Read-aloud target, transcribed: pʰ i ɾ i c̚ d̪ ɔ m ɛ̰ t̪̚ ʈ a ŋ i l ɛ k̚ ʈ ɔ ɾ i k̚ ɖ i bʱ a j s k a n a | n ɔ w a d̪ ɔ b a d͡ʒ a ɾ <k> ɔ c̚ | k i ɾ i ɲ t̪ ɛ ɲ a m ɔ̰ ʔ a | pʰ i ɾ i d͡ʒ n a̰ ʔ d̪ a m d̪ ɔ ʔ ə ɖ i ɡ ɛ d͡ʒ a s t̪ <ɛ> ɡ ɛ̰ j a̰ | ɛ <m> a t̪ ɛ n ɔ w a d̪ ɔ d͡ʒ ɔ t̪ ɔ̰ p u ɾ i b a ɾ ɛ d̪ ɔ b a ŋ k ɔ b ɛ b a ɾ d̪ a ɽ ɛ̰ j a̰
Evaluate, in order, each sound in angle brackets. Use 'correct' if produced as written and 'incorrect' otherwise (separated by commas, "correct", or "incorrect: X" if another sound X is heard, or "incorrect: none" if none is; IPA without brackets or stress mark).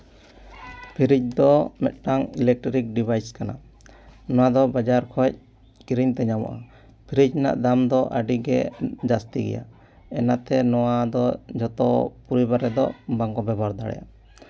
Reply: incorrect: kʰ, incorrect: i, incorrect: n